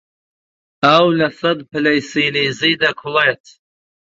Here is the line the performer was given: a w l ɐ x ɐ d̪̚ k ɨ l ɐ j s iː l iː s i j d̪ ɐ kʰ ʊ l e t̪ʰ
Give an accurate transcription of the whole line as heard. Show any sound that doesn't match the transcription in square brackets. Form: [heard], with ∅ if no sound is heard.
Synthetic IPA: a w l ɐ [s] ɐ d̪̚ [p] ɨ l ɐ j s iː l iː [z] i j d̪ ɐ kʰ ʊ l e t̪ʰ